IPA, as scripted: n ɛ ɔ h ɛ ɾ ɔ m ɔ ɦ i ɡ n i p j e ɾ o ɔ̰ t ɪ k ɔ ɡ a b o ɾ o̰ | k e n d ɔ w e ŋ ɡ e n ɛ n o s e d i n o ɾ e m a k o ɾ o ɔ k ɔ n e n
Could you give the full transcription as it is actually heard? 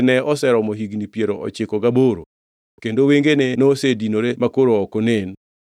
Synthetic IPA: n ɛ ɔ s ɛ ɾ ɔ m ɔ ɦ i ɡ n i p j e ɾ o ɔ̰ t͡ʃ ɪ k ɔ ɡ a b o ɾ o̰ | k e n d o w e ŋ ɡ e n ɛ n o s e d i n o ɾ e m a k o ɾ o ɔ k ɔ n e n